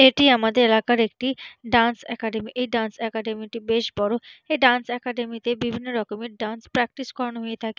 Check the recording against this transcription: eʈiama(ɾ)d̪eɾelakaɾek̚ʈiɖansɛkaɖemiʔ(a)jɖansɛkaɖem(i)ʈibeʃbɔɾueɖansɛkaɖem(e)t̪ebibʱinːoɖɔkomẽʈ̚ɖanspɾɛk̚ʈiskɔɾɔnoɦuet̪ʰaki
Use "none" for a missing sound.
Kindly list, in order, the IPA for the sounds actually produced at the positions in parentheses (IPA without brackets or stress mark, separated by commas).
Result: none, e, i, i